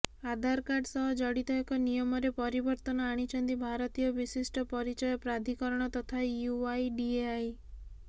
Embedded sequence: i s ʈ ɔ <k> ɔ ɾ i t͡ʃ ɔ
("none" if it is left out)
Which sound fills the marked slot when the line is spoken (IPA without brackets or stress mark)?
p